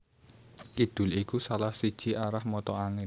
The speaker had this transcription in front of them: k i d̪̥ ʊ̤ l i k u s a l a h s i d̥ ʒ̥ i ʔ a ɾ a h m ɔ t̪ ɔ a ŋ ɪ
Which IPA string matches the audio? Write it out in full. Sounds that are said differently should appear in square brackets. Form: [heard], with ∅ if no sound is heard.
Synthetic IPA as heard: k i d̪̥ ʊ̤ l i k u s a l a h s i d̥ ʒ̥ i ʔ a ɾ a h m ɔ t̪ ɔ a ŋ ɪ